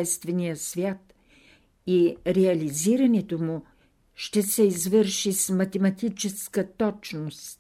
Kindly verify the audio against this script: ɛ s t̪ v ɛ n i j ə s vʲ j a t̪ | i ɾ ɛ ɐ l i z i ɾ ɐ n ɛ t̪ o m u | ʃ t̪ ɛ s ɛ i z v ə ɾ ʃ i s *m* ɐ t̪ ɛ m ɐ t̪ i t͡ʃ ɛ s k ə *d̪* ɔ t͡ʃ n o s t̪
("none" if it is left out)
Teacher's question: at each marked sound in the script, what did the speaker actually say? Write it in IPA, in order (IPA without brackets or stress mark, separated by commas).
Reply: m, t̪